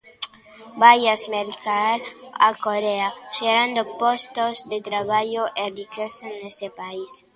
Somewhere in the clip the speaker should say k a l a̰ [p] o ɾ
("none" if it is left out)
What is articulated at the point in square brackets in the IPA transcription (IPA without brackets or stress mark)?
k